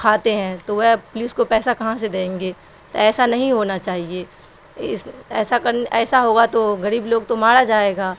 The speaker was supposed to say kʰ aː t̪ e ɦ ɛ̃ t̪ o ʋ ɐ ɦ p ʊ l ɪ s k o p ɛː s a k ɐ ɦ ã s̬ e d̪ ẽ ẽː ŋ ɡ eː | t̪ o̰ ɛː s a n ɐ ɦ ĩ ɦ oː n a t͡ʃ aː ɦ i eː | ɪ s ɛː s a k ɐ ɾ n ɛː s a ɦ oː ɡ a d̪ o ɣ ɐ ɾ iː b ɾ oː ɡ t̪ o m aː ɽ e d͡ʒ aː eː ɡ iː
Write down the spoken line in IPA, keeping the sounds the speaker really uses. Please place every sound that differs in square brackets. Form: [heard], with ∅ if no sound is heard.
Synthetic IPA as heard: kʰ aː t̪ e ɦ ɛ̃ t̪ o ʋ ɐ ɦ p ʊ l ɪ s k o p ɛː s a k ɐ ɦ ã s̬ e d̪ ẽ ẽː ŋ ɡ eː | t̪ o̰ ɛː s a n ɐ ɦ ĩ ɦ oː n a t͡ʃ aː ɦ i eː | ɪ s ɛː s a k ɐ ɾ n ɛː s a ɦ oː ɡ a [t̪] o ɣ ɐ ɾ iː b [l] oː ɡ t̪ o m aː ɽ [a] d͡ʒ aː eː ɡ [aː]

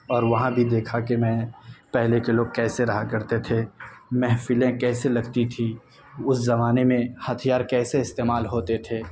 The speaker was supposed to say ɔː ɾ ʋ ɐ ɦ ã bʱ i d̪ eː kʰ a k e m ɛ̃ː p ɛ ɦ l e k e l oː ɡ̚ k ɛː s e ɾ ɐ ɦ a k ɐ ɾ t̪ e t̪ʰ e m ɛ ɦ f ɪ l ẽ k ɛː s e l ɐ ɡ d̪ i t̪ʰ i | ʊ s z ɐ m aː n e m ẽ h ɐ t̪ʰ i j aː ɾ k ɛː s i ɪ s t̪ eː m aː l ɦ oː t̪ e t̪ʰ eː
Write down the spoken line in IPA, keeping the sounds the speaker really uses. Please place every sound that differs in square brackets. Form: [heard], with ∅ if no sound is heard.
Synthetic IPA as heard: ɔː ɾ ʋ ɐ ɦ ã bʱ i d̪ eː kʰ a k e m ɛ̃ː p ɛ ɦ l e k e l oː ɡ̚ k ɛː s e ɾ ɐ ɦ a k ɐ ɾ t̪ e t̪ʰ e m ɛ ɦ f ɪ l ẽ k ɛː s e l ɐ ɡ [t̪] i t̪ʰ i | ʊ s z ɐ m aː n e m ẽ h ɐ t̪ʰ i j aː ɾ k ɛː s [e] ɪ s t̪ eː m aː l ɦ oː t̪ e t̪ʰ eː

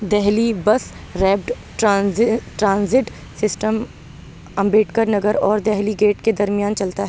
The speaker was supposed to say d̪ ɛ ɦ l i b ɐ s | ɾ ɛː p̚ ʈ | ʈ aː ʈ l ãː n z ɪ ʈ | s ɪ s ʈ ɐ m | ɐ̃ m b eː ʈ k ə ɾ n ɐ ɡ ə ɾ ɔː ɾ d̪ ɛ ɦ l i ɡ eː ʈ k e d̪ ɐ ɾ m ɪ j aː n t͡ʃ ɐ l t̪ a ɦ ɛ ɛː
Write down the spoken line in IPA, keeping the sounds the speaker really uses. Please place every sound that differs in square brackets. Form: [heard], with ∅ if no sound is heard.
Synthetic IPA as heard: d̪ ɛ ɦ l i b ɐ s | ɾ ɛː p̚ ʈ | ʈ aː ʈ [ɾ] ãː n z ɪ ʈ | s ɪ s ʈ [ə] m | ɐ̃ m b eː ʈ k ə ɾ n ɐ ɡ ə ɾ ɔː ɾ d̪ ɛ ɦ l i ɡ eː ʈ k e d̪ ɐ ɾ m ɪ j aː n t͡ʃ ɐ l t̪ a ɦ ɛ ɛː

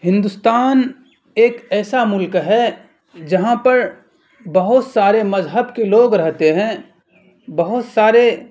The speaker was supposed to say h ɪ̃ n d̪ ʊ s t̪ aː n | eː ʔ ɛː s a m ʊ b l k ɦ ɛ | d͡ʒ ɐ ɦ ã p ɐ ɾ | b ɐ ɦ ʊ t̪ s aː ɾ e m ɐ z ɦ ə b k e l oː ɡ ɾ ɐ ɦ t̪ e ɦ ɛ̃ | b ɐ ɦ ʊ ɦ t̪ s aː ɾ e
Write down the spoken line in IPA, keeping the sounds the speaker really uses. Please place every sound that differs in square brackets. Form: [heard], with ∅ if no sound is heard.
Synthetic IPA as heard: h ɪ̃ n d̪ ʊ s t̪ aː n | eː [k] ɛː s a m ʊ [∅] l k ɦ ɛ | d͡ʒ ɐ ɦ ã p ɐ ɾ | b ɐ ɦ ʊ t̪ s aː ɾ e m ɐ z ɦ ə b k e l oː ɡ ɾ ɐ ɦ t̪ e ɦ ɛ̃ | b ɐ ɦ ʊ [∅] t̪ s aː ɾ e

